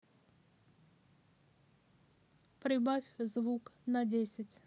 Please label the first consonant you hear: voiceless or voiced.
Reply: voiceless